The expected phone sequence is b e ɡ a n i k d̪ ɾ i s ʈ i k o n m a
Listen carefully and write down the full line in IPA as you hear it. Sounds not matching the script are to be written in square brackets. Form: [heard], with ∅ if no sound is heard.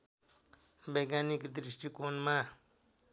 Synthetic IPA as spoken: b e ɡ a n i k d̪ ɾ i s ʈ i k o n m a